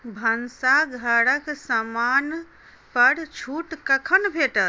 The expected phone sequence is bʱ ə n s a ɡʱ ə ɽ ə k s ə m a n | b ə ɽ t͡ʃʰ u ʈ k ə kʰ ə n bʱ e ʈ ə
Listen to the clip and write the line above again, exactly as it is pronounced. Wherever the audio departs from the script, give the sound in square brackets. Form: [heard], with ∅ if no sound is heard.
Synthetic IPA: bʱ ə n s a ɡʱ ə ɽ ə k s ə m a n | [p] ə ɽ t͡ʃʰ u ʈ k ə kʰ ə n bʱ e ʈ ə

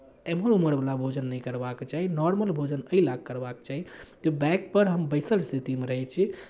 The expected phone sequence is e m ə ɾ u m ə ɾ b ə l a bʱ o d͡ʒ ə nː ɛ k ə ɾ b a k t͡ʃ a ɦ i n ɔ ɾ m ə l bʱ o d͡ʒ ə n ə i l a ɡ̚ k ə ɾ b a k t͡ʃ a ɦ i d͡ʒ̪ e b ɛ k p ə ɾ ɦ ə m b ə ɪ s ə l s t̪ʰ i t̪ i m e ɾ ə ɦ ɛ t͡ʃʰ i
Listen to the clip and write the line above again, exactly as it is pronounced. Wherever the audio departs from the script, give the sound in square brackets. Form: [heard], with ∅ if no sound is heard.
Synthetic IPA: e m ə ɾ u m ə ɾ b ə l a bʱ o d͡ʒ ə nː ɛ k ə ɾ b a k t͡ʃ a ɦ i n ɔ ɾ m ə l bʱ o d͡ʒ ə n ə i l a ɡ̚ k ə ɾ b a k t͡ʃ a ɦ i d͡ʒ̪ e b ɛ k p ə ɾ ɦ ə m b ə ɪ s ə l s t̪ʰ i t̪ i m e ɾ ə ɦ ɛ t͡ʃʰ i

